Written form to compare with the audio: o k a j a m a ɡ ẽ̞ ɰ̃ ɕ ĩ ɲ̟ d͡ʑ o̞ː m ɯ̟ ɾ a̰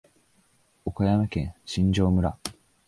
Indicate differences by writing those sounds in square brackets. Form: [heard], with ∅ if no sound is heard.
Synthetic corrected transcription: o k a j a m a [k] ẽ̞ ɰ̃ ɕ ĩ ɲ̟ d͡ʑ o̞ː m ɯ̟ ɾ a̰